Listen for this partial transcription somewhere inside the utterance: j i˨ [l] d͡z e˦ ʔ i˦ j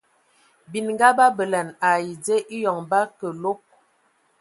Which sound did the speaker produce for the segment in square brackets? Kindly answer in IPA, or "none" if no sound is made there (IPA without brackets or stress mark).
none